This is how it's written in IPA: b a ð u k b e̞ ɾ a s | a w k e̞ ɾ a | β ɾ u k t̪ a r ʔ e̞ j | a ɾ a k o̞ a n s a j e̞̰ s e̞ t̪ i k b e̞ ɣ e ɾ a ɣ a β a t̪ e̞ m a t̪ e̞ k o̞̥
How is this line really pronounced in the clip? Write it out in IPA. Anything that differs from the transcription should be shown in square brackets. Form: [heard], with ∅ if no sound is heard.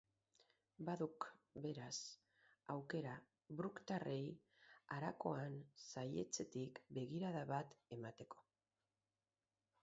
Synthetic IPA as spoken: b a ð u k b e̞ ɾ a s | a w k e̞ ɾ a | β ɾ u k t̪ a r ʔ e̞ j | a ɾ a k o̞ a n s a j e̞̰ [t͡s] e̞ t̪ i k b e̞ ɣ [i] ɾ a [ð] a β a t̪ e̞ m a t̪ e̞ k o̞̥